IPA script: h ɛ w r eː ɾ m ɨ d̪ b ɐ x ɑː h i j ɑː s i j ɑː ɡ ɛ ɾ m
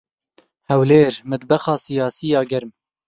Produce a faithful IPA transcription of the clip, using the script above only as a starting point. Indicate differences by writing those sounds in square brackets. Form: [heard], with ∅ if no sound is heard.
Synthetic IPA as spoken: h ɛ w [l] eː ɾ m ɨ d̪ b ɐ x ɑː [s] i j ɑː s i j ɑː ɡ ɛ ɾ m